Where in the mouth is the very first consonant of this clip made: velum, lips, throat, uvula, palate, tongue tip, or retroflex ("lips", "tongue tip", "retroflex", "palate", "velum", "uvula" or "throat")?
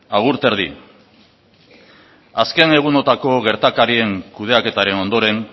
velum